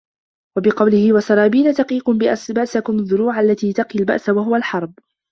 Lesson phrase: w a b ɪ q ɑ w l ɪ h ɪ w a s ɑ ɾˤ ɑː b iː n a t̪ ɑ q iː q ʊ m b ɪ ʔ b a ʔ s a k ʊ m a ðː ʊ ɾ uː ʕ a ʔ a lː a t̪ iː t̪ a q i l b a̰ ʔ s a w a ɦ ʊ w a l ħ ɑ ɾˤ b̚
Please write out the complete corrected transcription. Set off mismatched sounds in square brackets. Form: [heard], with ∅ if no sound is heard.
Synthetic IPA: w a b ɪ q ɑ w l ɪ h ɪ w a s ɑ ɾˤ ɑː b iː n a t̪ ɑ q iː q ʊ m b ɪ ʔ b a ʔ s a k ʊ m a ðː ʊ ɾ uː ʕ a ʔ a lː a t̪ iː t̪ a q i l b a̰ ʔ s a w a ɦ ʊ w a l ħ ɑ ɾˤ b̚